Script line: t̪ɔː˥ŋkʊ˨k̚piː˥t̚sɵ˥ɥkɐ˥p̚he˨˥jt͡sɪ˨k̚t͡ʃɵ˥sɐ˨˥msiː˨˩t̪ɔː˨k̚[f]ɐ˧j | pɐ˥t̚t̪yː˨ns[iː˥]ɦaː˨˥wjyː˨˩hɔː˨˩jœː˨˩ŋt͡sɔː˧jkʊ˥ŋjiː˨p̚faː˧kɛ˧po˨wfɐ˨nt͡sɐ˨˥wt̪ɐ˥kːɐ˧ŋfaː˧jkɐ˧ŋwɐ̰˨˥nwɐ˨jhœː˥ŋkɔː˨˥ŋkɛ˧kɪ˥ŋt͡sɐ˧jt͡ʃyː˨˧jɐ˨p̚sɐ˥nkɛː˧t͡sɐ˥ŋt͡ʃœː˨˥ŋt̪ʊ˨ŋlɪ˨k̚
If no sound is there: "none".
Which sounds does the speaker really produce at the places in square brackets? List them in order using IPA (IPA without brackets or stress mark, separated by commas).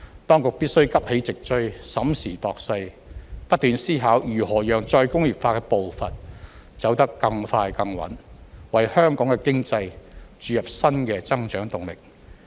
s, iː˥